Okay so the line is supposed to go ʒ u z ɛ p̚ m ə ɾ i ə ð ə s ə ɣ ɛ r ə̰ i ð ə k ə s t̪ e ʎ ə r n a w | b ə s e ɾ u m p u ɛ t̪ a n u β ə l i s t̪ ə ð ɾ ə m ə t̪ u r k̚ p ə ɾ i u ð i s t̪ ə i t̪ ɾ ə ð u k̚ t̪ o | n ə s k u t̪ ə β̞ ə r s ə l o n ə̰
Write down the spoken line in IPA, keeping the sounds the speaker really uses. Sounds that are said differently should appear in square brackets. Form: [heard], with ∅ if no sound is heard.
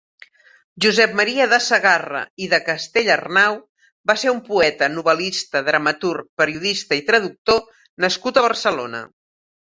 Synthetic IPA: ʒ u z ɛ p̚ m ə ɾ i ə ð ə s ə ɣ [a] r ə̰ i ð ə k ə s t̪ e ʎ ə r n a w | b [a] s e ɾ u m p u ɛ t̪ [ə] n u β ə l i s t̪ ə ð ɾ ə m ə t̪ u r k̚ p ə ɾ i u ð i s t̪ ə i t̪ ɾ ə ð u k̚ t̪ o | n ə s k u t̪ ə β̞ ə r s ə l o n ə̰

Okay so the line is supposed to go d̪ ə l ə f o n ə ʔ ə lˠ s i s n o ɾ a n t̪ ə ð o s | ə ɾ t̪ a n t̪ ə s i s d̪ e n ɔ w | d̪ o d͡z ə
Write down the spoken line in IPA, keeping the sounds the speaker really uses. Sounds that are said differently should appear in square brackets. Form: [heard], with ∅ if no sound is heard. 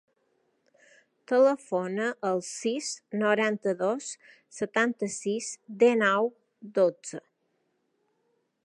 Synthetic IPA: [t̪] ə l ə f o n ə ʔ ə lˠ s i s n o ɾ a n t̪ ə ð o [sː] | ə [∅] t̪ a n t̪ ə s i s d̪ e n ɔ w | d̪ o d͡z ə

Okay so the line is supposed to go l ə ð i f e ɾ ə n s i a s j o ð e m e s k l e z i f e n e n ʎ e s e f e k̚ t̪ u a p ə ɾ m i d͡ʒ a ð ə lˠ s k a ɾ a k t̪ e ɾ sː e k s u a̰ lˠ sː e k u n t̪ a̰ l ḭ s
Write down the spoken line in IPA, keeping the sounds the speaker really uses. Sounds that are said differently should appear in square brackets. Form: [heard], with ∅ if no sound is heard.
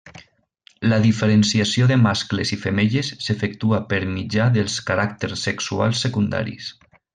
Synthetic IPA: l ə ð i f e ɾ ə n s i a s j o ð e m [a] s k l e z i f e [m] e [∅] ʎ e [sː] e f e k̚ t̪ u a p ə ɾ m i d͡ʒ a ð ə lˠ s k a ɾ a k t̪ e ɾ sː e k s u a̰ lˠ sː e k u n [d̪] a̰ [ɾ] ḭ s

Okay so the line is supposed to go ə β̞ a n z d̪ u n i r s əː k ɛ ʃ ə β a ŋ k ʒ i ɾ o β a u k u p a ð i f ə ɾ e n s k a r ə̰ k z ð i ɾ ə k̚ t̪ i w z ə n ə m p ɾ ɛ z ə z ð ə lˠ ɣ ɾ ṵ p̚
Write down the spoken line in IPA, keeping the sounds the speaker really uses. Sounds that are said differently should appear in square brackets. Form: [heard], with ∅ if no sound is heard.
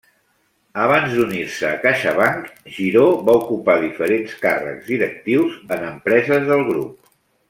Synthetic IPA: ə β̞ a n z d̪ u n i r s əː k [a] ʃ ə β a ŋ k ʒ i ɾ o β a u k u p a ð i f ə ɾ e n s k a r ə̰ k z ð i ɾ ə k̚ t̪ i w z ə n ə m p ɾ ɛ z ə z ð ə lˠ ɣ ɾ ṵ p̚

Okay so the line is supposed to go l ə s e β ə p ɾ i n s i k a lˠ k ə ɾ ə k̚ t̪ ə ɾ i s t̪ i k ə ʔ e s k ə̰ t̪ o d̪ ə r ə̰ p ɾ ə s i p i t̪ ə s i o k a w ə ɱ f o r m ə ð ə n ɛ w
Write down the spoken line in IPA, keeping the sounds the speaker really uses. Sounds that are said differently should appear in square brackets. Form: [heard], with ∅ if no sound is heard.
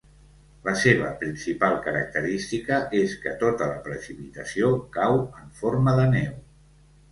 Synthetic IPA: l ə s e β ə p ɾ i n s i [p] a lˠ k ə ɾ ə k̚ t̪ ə ɾ i s t̪ i k ə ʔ e s k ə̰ t̪ o [t̪] ə [l] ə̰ p ɾ ə s i p i t̪ ə s i o k a w ə ɱ f o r m ə ð ə n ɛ w

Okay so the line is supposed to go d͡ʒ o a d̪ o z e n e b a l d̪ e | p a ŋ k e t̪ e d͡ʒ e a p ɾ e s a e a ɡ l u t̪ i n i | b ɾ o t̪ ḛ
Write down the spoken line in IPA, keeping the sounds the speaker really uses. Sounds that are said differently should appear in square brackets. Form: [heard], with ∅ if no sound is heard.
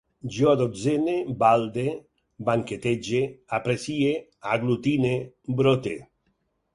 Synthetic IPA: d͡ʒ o a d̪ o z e n e b a l d̪ e | [b] a ŋ k e t̪ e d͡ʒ e a p ɾ e s [i] e a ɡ l u t̪ i n [e] | b ɾ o t̪ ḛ

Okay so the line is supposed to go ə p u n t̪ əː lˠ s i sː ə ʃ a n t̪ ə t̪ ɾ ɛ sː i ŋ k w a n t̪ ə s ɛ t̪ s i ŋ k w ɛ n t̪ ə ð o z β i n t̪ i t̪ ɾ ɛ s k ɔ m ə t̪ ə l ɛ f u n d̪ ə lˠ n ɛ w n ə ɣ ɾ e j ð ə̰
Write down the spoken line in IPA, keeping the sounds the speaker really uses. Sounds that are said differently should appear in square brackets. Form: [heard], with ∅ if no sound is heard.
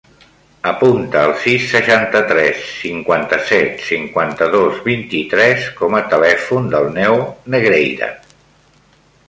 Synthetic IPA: ə p u n t̪ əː lˠ s i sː ə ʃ a n t̪ ə t̪ ɾ ɛ sː i ŋ k w a n t̪ ə s ɛ t̪ s i ŋ k w [a] n t̪ ə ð o z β i n t̪ i t̪ ɾ ɛ s k ɔ m ə t̪ ə l ɛ f u n d̪ ə lˠ n ɛ w n ə ɣ ɾ e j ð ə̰

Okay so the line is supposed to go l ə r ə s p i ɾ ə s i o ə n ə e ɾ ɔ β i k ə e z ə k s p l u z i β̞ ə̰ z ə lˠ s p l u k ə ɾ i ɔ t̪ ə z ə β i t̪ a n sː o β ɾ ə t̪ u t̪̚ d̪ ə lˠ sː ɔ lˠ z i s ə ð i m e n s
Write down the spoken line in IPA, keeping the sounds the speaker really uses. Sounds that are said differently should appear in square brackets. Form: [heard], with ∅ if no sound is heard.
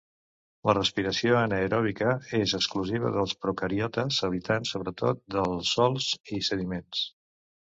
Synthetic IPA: l ə r ə s p i ɾ ə s i o ə n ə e ɾ ɔ β i k ə e z ə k s [k] l u z i β̞ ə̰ [ð] ə lˠ s p [ɾ] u k ə ɾ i ɔ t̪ ə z ə β i t̪ a n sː o β ɾ ə t̪ [o] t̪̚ d̪ ə lˠ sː ɔ lˠ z i s ə ð i m e n s

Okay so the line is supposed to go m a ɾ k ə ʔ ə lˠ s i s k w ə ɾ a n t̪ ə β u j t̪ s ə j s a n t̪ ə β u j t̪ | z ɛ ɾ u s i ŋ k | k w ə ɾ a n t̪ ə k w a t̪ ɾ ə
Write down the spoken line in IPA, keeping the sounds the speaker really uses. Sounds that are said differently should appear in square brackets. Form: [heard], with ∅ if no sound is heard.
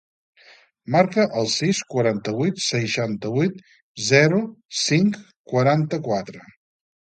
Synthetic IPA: m a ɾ k ə ʔ ə lˠ s i s k w ə ɾ a n t̪ ə β u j t̪ s ə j [ʃ] a n t̪ ə β u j t̪ | z ɛ ɾ u s i ŋ k | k w ə ɾ a n t̪ ə k w a t̪ ɾ ə

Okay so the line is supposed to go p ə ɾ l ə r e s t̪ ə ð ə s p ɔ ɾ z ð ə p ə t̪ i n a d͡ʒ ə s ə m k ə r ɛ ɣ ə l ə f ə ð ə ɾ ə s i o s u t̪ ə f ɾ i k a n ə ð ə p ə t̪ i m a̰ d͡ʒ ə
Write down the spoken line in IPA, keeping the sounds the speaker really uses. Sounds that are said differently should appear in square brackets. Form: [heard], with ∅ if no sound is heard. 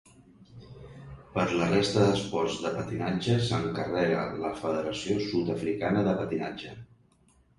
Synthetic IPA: p ə ɾ l ə r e s t̪ ə ð ə s p ɔ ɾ z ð ə p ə t̪ i n a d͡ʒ ə s ə [ŋ] k ə r ɛ ɣ ə l ə f ə ð ə ɾ ə s i o s u t̪ ə f ɾ i k a n ə ð ə p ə t̪ i [n] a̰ d͡ʒ ə

